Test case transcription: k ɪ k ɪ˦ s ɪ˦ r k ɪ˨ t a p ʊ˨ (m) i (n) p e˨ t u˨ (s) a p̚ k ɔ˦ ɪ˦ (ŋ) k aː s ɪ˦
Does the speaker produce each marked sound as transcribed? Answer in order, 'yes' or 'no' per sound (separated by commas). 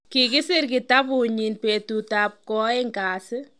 no, yes, no, yes